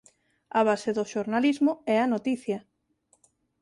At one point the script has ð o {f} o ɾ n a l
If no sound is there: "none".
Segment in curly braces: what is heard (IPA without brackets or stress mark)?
ʃ